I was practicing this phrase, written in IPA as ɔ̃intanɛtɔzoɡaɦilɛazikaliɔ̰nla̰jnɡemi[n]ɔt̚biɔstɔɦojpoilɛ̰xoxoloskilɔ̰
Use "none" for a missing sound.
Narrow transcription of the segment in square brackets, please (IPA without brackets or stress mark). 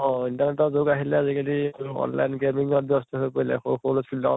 ŋ